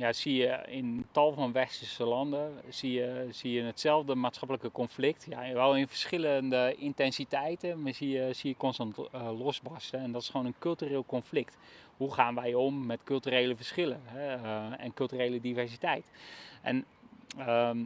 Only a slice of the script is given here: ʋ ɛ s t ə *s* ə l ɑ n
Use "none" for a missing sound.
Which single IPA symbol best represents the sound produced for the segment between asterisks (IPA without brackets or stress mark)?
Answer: s